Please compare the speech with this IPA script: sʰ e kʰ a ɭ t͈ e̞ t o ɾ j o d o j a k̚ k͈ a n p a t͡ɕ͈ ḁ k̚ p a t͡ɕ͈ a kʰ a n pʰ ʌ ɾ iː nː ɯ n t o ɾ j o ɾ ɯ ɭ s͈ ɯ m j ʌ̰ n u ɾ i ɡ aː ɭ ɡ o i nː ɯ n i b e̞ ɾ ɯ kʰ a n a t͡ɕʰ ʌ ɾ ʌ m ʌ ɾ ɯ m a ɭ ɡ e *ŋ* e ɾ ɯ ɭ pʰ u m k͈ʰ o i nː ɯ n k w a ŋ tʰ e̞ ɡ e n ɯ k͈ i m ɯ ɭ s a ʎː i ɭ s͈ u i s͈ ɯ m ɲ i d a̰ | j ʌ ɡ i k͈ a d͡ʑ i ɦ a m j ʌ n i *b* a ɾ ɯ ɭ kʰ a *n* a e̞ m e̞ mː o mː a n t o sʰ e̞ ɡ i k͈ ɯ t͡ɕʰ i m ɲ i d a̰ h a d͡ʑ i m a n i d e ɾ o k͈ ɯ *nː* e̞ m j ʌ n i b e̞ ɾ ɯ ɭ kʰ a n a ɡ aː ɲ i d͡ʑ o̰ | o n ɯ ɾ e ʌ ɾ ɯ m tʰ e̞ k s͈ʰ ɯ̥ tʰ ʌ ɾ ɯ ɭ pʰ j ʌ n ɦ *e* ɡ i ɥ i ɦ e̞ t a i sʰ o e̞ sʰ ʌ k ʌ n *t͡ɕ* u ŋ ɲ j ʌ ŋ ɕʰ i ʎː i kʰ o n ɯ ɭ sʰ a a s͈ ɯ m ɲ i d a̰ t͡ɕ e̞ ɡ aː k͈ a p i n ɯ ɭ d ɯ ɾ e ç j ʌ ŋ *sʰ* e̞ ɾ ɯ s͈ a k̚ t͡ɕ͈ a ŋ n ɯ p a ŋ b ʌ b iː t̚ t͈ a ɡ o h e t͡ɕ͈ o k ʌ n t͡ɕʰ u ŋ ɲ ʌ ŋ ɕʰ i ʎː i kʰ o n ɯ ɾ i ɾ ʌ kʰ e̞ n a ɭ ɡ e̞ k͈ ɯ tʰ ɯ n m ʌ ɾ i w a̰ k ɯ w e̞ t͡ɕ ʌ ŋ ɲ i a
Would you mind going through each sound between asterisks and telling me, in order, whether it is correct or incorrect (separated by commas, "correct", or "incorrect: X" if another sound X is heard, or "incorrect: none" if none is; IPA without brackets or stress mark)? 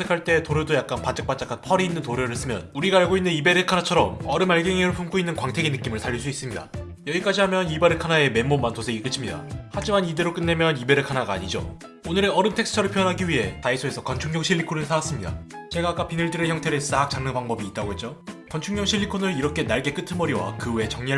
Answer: correct, correct, correct, correct, incorrect: a, incorrect: t͡ɕʰ, incorrect: tʰ